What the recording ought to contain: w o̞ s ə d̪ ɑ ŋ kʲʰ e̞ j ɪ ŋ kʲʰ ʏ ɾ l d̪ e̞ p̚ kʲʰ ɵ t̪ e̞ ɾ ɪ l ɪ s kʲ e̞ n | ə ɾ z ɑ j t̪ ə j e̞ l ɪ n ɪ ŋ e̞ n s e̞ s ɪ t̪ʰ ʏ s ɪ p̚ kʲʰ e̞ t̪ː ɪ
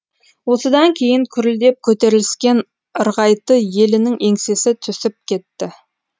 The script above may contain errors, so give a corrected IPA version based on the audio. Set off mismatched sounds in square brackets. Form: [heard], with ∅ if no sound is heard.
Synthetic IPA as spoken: w o̞ s ə d̪ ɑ ŋ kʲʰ e̞ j ɪ ŋ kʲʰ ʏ ɾ l d̪ e̞ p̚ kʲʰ ɵ t̪ e̞ ɾ ɪ l ɪ s kʲ e̞ n | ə ɾ [ʁ] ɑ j t̪ ə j e̞ l ɪ n ɪ ŋ e̞ [ŋ] s e̞ s ɪ t̪ʰ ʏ s ɪ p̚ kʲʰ e̞ t̪ː ɪ